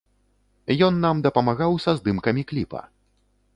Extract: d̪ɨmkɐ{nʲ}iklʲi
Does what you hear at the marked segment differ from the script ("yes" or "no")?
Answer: yes